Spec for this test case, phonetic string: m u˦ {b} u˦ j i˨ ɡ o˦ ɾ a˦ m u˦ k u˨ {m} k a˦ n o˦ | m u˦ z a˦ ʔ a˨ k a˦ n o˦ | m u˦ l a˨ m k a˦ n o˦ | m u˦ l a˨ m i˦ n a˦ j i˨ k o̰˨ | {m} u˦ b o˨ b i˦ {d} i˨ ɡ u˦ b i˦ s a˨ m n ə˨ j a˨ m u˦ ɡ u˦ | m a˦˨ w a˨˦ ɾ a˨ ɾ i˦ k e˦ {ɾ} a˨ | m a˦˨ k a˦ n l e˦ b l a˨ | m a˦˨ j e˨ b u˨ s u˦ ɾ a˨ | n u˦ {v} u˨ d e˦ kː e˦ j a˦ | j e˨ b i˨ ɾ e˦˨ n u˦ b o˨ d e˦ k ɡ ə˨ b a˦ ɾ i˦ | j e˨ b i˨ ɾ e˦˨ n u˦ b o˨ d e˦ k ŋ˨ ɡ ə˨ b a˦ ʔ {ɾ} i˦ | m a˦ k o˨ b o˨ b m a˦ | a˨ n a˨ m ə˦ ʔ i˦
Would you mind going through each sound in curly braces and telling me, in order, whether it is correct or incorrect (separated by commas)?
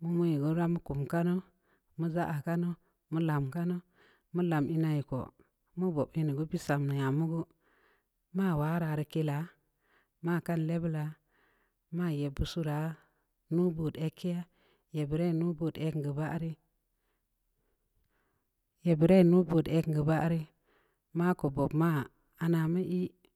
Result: incorrect, correct, correct, incorrect, incorrect, incorrect, correct